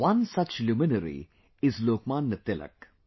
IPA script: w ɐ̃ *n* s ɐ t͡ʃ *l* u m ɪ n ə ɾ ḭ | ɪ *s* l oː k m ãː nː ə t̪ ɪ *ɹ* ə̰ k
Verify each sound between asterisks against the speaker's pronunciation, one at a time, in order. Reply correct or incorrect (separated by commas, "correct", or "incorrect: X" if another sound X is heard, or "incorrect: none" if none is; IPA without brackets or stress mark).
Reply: correct, correct, incorrect: z, incorrect: l